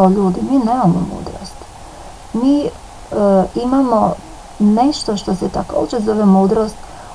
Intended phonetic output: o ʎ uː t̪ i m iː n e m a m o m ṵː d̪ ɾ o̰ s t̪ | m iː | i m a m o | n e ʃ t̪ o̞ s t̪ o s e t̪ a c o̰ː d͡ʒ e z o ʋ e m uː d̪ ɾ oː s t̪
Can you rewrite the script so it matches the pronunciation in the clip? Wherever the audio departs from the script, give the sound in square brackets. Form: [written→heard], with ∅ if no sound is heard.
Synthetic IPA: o ʎ uː [t̪→d̪] i m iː n e m a m o m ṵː d̪ ɾ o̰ s t̪ | m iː | i m a m o | n e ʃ t̪ o̞ [s→ʃ] t̪ o s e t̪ a [c→k] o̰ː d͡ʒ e z o ʋ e m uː d̪ ɾ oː s t̪